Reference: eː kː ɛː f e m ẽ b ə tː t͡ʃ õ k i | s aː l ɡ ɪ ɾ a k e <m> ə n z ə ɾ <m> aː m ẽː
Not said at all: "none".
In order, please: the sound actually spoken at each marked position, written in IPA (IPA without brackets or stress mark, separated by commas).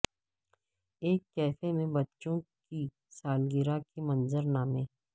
m, n